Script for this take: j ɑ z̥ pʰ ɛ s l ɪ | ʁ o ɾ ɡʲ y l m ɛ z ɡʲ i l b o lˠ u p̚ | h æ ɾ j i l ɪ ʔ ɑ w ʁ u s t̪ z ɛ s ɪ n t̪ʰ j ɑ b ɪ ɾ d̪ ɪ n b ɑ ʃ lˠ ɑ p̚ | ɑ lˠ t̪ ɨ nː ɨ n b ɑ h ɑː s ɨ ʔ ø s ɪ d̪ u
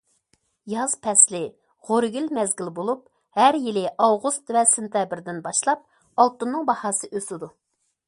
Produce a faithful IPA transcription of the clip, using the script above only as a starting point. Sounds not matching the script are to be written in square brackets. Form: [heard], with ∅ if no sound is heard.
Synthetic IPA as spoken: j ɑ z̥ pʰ ɛ s l ɪ | ʁ o ɾ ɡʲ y l m ɛ z ɡʲ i l b o lˠ u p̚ | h æ ɾ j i l ɪ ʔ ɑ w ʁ u s t̪ [v] ɛ s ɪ n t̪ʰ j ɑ b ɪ ɾ d̪ ɪ n b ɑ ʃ lˠ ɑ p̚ | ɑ lˠ t̪ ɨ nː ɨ [ŋ] b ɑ h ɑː s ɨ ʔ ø s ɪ d̪ u